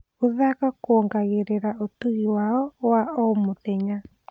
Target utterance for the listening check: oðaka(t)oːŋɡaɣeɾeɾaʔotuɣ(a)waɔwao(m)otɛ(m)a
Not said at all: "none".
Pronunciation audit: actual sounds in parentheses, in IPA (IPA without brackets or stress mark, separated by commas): k, i, m, ɲ